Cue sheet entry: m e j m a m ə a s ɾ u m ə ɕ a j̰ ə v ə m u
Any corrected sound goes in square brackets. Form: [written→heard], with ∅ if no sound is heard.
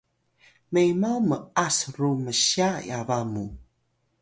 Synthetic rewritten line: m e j m a m ə a s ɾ u m ə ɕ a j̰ [ə→a] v [ə→a] m u